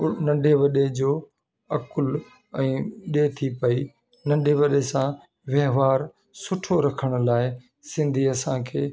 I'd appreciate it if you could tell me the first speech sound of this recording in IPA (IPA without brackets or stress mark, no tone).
n